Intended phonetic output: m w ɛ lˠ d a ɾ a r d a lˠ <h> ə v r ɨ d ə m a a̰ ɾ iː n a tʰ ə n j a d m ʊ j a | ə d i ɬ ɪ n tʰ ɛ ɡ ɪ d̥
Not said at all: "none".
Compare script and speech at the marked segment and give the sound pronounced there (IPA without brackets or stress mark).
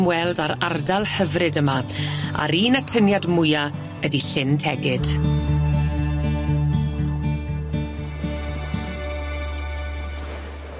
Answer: h